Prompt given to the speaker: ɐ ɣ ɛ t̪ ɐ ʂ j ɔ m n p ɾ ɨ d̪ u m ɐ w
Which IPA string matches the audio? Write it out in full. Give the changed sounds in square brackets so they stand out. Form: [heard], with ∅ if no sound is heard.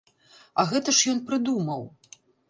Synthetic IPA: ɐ ɣ ɛ t̪ ɐ ʂ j ɔ [∅] n p ɾ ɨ d̪ u m ɐ w